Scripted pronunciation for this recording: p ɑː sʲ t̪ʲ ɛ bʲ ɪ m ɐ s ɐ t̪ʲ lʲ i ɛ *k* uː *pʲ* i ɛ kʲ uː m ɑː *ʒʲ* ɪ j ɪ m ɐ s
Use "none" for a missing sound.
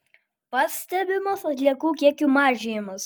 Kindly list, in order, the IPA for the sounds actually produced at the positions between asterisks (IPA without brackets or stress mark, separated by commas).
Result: k, kʲ, ʒʲ